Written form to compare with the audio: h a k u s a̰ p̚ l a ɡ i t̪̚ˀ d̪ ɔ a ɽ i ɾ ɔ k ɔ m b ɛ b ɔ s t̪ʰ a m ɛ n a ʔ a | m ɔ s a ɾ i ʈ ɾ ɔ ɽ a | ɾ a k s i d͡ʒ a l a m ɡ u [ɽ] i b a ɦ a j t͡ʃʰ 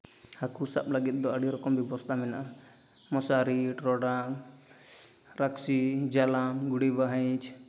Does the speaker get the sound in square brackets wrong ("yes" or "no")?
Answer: no